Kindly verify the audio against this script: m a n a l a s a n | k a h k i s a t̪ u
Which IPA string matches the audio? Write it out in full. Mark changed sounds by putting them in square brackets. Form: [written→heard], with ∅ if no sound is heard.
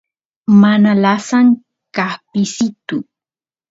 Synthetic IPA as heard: m a n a l a s a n | k a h [k→p] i s [a→i] t̪ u